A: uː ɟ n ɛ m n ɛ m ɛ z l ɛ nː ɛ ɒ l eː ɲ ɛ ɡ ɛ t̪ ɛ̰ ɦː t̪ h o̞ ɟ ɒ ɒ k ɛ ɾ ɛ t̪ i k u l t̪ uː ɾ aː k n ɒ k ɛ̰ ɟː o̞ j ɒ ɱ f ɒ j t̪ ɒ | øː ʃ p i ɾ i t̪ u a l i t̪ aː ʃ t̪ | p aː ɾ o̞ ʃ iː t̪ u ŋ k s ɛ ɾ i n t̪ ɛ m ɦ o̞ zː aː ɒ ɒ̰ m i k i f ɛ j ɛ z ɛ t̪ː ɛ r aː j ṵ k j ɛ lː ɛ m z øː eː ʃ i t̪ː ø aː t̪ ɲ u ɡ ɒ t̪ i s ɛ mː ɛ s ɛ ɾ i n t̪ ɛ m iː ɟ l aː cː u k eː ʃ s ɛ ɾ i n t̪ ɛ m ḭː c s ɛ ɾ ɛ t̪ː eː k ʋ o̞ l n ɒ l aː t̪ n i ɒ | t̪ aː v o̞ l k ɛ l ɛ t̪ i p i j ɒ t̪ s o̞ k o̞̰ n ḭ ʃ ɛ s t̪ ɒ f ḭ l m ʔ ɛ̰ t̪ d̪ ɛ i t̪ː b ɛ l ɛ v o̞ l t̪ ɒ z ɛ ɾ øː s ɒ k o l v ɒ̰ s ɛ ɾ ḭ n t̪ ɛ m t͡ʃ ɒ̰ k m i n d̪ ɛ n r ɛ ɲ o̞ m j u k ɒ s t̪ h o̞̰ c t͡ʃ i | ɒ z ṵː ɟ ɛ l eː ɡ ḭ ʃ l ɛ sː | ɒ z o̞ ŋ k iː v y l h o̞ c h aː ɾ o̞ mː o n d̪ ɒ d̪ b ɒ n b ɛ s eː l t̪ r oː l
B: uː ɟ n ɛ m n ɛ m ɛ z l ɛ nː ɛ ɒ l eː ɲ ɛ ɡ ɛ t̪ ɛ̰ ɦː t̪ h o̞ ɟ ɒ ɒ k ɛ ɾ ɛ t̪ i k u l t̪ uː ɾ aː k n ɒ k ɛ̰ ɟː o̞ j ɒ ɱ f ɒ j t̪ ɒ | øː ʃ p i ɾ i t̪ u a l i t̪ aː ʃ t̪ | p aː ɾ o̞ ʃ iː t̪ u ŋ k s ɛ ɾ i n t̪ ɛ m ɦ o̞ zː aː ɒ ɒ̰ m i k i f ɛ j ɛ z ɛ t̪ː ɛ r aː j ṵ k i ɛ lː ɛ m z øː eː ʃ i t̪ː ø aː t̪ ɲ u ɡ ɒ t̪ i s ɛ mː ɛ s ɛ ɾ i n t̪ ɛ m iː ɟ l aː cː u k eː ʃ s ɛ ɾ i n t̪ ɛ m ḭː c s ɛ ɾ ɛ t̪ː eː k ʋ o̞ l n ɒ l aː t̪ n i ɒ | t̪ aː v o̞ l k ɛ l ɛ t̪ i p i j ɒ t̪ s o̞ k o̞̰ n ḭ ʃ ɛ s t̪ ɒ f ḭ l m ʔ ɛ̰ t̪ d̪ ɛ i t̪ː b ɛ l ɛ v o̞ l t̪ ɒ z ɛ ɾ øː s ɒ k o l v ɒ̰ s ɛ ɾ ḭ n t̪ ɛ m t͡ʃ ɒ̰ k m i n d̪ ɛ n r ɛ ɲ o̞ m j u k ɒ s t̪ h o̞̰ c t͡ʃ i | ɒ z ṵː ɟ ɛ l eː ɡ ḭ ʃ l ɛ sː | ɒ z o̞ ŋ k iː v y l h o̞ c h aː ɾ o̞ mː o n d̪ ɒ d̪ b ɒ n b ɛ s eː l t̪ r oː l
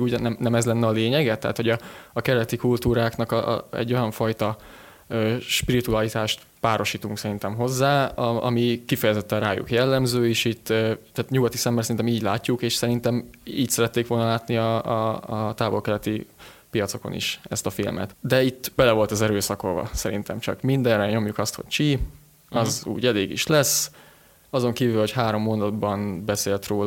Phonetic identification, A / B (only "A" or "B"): A